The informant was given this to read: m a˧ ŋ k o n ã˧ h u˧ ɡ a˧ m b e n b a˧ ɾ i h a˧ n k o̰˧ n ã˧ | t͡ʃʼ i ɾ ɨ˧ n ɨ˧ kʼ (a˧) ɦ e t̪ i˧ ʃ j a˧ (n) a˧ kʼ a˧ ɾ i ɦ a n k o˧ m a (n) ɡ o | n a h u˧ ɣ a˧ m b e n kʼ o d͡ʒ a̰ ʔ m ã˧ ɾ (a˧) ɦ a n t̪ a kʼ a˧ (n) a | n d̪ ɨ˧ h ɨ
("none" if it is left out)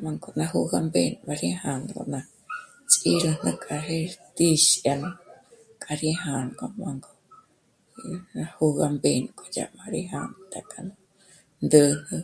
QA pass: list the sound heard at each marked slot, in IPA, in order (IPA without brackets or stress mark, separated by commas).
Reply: a˧, n, ŋ, i˧, n